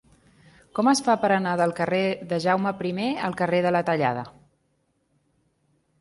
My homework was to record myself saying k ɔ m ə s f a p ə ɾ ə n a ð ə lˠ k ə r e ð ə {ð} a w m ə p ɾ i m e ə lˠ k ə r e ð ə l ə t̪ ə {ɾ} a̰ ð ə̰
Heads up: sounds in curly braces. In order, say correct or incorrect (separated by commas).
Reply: incorrect, incorrect